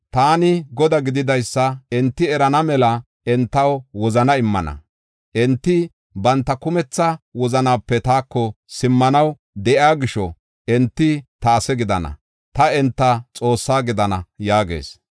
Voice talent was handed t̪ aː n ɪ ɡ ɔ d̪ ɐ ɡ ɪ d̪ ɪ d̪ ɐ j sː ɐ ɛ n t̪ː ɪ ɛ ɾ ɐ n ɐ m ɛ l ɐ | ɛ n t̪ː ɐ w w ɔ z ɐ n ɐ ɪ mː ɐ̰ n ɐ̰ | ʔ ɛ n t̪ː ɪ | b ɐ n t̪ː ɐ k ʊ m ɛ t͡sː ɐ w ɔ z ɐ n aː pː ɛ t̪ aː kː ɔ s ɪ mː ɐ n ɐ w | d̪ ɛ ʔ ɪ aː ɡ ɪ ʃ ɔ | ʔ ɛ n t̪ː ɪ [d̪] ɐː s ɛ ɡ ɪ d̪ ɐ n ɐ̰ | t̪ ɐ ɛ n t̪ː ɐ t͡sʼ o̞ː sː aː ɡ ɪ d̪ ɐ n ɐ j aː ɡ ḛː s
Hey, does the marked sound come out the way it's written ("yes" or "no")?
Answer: no